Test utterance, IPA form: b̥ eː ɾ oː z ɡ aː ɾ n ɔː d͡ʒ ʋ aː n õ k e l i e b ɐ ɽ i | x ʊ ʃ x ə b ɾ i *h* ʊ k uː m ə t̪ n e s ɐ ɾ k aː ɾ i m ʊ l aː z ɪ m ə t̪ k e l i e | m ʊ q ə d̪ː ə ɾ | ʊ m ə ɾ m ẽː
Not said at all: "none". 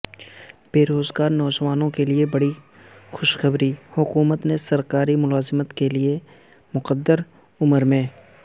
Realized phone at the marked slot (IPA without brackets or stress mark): h